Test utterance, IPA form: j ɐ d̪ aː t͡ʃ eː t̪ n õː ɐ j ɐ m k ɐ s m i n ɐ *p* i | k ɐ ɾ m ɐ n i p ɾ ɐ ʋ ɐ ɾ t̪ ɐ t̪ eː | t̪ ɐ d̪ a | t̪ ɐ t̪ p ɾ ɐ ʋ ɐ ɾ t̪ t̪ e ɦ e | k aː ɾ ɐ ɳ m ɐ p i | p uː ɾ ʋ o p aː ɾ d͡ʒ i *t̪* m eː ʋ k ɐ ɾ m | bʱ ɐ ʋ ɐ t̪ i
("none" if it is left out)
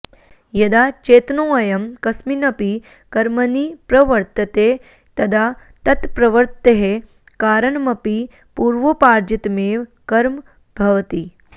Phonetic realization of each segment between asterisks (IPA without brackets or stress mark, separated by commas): p, t̪